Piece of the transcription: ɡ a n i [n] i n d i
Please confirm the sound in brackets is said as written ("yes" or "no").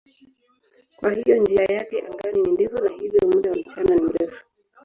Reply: yes